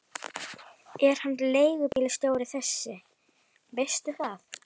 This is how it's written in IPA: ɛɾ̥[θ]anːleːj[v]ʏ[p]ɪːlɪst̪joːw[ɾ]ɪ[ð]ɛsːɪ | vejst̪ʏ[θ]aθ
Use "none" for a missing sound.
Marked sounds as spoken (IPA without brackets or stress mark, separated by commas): h, ɣ, p, ɾ, θ, θ